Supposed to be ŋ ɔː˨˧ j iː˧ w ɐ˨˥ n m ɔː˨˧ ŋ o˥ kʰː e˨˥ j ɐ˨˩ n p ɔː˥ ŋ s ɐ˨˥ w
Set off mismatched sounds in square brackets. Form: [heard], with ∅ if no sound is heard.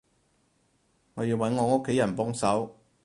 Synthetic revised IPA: ŋ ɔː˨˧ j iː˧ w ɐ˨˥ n [ŋ] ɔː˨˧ ŋ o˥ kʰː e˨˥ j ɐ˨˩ n p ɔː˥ ŋ s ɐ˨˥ w